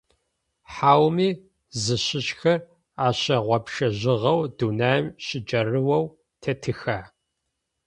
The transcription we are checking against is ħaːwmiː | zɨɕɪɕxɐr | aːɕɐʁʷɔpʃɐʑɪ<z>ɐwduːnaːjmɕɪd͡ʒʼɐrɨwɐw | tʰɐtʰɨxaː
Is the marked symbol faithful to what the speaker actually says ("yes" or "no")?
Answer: no